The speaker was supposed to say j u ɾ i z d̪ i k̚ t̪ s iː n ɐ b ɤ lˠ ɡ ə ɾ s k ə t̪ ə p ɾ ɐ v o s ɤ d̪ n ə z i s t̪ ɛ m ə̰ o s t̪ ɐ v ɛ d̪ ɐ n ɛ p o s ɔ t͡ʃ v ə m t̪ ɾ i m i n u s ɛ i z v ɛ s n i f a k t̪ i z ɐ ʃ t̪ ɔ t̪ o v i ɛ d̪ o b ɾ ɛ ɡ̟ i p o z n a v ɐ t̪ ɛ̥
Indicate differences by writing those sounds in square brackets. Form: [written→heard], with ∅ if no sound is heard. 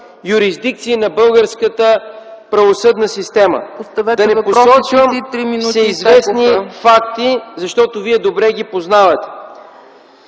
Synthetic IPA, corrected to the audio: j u ɾ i z d̪ i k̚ t̪ s iː n ɐ b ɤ lˠ ɡ ə ɾ s k ə t̪ ə p ɾ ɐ v o s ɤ d̪ n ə [z→s] i s t̪ ɛ m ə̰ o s t̪ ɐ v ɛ d̪ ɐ n ɛ p o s ɔ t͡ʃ v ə m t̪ ɾ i m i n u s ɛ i z v ɛ s n i f a k t̪ i z ɐ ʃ t̪ ɔ t̪ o v i ɛ d̪ o b ɾ ɛ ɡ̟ i p o z n a v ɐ t̪ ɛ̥